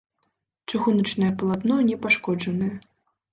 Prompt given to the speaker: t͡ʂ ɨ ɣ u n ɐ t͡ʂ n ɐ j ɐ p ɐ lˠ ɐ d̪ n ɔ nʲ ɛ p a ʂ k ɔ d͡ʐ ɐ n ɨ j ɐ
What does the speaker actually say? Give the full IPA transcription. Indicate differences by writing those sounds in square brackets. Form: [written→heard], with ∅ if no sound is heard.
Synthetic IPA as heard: t͡ʂ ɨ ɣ u n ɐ t͡ʂ n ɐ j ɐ p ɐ lˠ [ɐ→a] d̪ n ɔ nʲ ɛ p a ʂ k ɔ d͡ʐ ɐ n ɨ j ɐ